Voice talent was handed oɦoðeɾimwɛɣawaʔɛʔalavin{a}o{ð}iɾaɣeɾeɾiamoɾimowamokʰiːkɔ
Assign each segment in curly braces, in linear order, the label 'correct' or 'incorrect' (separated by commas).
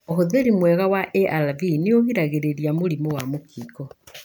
incorrect, incorrect